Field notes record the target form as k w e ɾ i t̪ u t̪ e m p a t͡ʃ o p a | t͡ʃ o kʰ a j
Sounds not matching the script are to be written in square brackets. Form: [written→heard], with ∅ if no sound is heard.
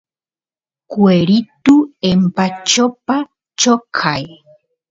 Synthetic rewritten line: k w e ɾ i t̪ u [t̪→∅] e m p a t͡ʃ o p a | t͡ʃ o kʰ a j